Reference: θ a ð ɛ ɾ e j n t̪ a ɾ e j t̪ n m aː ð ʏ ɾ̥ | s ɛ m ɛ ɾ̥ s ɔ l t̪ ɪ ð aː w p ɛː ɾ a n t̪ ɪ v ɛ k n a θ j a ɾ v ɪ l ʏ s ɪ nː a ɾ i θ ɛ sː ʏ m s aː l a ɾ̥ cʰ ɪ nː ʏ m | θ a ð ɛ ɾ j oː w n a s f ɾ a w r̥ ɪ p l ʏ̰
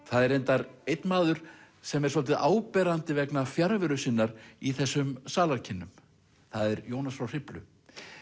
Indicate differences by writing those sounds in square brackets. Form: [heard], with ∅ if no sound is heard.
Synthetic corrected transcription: θ a ð ɛ ɾ e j n t̪ a ɾ e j t̪ n m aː ð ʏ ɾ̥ | s ɛ m ɛ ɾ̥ s ɔ l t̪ ɪ ð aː w p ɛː ɾ a n t̪ ɪ v ɛ k n a [f] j a ɾ v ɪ [ɾ] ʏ s ɪ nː a ɾ i θ ɛ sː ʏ m s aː l a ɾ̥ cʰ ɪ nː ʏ m | θ a ð ɛ ɾ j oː w n a s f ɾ a w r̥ ɪ p l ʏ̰